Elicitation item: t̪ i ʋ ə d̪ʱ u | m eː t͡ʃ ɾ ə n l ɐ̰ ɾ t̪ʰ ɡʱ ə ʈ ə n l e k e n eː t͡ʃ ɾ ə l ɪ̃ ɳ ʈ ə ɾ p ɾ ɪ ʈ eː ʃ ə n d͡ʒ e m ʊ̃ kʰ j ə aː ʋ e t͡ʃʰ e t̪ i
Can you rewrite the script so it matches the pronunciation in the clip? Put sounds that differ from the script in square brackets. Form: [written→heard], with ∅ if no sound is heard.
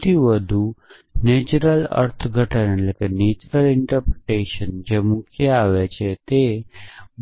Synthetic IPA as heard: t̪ i ʋ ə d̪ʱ u | [m→n] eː t͡ʃ ɾ ə [n→∅] l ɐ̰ ɾ t̪ʰ ɡʱ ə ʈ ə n l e k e n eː t͡ʃ ɾ ə l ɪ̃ ɳ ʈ ə ɾ p ɾ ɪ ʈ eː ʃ ə n d͡ʒ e m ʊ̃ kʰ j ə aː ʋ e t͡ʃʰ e t̪ [i→e]